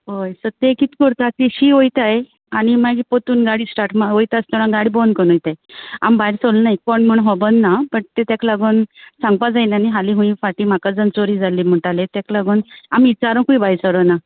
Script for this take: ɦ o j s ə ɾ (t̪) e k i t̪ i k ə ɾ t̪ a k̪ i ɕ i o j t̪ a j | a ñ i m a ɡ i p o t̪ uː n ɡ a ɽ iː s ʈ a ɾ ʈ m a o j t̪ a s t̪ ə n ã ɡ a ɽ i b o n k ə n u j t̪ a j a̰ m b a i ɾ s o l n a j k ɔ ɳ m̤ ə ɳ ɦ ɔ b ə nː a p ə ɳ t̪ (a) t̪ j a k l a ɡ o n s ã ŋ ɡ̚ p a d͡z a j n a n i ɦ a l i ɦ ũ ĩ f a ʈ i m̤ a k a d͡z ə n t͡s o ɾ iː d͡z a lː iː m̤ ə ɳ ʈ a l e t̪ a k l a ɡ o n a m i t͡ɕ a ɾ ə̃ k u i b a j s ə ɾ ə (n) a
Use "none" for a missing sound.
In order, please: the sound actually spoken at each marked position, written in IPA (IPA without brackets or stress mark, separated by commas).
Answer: t̪, e, n